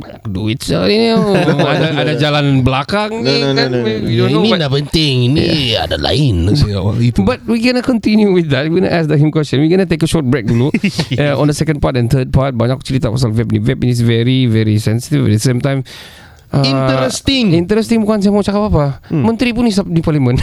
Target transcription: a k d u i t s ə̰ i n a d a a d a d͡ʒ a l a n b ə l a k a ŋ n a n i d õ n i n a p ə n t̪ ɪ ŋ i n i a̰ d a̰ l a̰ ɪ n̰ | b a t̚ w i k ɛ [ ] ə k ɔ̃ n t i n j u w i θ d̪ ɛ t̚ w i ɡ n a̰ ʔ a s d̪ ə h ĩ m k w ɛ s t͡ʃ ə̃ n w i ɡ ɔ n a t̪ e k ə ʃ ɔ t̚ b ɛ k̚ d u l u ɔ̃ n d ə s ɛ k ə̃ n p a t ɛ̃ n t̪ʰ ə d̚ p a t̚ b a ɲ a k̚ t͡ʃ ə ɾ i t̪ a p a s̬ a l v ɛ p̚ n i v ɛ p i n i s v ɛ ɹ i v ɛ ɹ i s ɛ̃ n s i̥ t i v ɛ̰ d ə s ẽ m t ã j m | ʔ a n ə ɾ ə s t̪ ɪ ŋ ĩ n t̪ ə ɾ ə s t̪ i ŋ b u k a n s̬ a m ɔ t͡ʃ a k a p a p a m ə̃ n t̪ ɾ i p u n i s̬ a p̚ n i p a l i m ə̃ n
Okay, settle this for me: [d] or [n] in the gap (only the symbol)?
n